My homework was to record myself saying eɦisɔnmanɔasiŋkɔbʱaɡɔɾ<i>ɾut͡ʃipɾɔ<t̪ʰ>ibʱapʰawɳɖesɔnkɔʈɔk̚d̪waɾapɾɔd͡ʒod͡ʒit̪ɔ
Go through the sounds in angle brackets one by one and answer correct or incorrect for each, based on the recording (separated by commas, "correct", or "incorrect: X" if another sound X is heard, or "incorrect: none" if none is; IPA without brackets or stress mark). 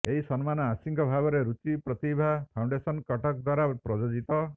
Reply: incorrect: e, incorrect: t̪